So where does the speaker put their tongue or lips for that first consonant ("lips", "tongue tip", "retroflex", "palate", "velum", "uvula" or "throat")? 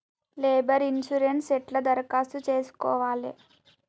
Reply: tongue tip